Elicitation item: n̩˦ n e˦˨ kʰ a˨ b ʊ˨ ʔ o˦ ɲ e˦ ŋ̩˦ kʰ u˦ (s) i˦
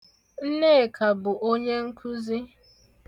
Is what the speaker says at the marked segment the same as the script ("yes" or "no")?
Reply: no